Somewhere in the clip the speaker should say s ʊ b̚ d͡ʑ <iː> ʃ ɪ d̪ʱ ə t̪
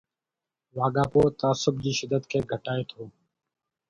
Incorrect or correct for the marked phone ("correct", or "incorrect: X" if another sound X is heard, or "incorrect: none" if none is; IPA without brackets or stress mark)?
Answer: correct